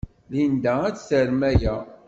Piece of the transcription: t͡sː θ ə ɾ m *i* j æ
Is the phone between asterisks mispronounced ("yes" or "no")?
yes